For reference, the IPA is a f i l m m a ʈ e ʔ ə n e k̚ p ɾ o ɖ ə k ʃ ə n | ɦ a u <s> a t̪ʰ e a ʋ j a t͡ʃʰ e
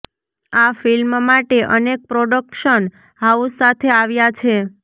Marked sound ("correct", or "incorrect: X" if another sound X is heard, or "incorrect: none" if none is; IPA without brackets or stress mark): correct